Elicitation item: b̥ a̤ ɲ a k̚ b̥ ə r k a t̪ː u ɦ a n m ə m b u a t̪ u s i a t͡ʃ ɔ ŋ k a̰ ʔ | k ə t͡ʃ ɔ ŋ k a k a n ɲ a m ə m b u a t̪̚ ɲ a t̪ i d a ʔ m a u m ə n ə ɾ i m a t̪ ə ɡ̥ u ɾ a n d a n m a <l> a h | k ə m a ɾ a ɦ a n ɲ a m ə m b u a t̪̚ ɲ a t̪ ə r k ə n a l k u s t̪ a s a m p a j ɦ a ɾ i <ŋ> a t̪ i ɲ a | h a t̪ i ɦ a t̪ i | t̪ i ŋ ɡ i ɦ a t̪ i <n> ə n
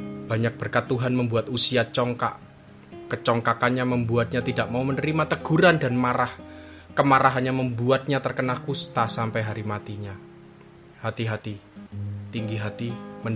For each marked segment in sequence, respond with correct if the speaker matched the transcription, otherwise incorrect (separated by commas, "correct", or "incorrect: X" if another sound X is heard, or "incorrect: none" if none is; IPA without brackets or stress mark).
incorrect: ɾ, incorrect: m, incorrect: m